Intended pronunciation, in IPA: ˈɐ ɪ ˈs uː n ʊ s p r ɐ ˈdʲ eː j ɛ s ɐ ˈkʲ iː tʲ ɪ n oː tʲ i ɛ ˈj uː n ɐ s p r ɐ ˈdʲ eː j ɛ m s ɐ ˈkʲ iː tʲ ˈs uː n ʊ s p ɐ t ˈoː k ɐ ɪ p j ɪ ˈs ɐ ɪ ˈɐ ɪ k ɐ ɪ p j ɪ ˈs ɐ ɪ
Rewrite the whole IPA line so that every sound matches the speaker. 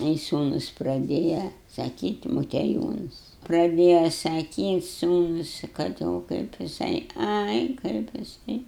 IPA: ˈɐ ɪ ˈs uː n ʊ s p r ɐ ˈdʲ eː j ɛ s ɐ ˈkʲ iː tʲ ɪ m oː tʲ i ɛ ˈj uː n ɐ s p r ɐ ˈdʲ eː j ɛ s ɐ ˈkʲ iː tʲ ˈs uː n ʊ s k ɐ t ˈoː k ɐ ɪ p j ɪ ˈs ɐ ɪ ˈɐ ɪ k ɐ ɪ p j ɪ ˈs ɐ ɪ